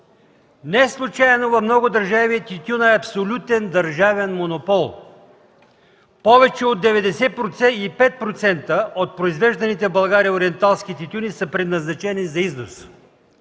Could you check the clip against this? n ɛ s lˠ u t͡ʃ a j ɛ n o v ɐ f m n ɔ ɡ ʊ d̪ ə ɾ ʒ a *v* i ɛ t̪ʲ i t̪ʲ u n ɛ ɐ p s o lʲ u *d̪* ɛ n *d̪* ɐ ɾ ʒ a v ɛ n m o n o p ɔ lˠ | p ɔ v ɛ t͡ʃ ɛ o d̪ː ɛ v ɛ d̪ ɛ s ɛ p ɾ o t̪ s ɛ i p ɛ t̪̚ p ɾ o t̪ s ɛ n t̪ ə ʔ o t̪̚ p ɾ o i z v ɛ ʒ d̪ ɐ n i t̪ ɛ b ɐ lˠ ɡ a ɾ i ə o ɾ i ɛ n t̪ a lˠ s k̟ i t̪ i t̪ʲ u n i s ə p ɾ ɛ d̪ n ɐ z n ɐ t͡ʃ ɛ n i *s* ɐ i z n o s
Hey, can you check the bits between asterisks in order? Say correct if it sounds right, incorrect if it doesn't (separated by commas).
correct, incorrect, correct, incorrect